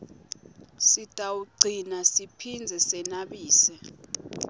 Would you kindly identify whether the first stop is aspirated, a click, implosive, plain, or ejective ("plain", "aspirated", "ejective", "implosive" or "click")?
ejective